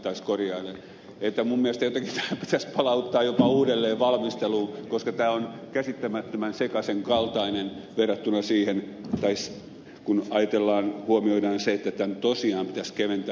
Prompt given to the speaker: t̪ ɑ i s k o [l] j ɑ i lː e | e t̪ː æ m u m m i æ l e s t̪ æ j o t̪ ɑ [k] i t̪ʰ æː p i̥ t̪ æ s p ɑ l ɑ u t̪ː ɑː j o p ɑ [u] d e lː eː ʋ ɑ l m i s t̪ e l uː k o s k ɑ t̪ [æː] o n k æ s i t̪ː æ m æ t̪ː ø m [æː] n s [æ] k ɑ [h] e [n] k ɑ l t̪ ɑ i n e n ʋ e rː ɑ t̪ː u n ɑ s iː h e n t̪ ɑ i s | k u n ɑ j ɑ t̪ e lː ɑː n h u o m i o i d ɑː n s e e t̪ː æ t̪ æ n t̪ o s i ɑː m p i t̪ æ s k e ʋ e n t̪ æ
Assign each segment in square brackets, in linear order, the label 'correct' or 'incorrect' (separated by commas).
incorrect, correct, incorrect, correct, incorrect, incorrect, incorrect, incorrect